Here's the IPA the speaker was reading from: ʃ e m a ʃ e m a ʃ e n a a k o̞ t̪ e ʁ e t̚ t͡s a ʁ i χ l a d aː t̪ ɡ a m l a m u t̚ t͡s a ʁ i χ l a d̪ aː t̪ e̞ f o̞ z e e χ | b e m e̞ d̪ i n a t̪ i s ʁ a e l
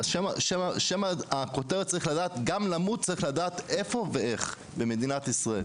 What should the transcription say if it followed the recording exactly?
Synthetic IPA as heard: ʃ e m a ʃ e m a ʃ e m a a k o̞ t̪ e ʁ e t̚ t͡s a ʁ i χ l a d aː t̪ ɡ a m l a m u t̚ t͡s a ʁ i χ l a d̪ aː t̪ e̞ f o̞ v e e χ | b e m e̞ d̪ i n a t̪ i s ʁ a e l